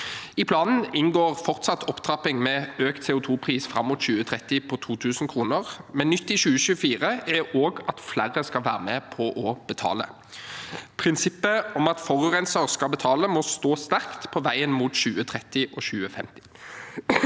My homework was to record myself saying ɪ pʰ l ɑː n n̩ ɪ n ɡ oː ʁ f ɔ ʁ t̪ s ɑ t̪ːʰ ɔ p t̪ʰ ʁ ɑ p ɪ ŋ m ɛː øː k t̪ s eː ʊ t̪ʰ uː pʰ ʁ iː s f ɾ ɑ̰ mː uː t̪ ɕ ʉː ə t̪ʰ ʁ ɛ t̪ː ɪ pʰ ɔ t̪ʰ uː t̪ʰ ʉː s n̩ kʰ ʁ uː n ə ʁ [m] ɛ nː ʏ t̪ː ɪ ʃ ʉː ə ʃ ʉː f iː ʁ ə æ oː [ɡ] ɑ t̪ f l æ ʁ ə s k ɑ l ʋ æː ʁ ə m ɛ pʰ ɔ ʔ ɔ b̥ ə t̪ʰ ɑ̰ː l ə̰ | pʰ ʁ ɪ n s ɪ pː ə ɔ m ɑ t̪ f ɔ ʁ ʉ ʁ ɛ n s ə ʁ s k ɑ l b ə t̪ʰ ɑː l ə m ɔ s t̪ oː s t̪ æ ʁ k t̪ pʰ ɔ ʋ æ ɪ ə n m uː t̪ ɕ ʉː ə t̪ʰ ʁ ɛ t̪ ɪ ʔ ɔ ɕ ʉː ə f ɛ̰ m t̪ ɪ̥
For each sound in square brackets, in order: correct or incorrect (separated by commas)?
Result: correct, correct